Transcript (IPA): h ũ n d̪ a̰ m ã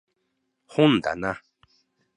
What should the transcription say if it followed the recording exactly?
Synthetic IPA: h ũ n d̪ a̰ n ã